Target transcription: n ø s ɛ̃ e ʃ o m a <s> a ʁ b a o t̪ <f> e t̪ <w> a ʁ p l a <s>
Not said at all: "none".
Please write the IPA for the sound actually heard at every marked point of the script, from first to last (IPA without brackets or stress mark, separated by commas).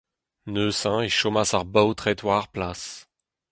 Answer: s, χ, w, s